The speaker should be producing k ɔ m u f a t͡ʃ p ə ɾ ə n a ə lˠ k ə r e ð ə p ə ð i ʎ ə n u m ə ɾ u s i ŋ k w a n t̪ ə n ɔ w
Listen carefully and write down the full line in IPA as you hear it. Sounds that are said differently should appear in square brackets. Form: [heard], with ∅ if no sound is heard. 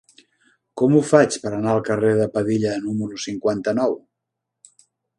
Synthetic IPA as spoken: k ɔ m u f a t͡ʃ p ə ɾ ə n a ə lˠ k ə r e ð ə p ə ð i ʎ ə n u m ə ɾ u s i ŋ k w a n t̪ ə n ɔ w